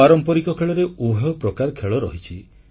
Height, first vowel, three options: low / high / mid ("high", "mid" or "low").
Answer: low